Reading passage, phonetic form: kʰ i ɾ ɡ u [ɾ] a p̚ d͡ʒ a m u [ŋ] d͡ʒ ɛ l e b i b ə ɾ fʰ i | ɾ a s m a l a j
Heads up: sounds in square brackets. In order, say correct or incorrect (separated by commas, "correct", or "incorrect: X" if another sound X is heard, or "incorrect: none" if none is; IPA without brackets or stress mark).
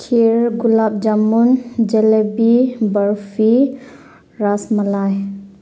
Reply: incorrect: l, incorrect: n